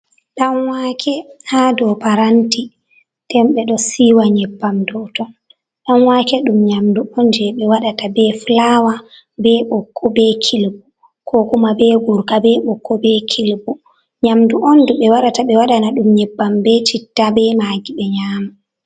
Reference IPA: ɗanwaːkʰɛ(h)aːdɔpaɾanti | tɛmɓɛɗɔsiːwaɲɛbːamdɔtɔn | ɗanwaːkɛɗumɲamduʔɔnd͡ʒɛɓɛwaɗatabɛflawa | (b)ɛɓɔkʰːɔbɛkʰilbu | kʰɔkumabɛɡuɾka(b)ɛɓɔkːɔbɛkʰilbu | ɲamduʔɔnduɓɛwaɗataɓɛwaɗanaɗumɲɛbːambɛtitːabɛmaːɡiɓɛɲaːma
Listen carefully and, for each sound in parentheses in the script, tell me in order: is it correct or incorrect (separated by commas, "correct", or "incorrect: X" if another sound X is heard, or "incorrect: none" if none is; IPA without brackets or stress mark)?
correct, correct, correct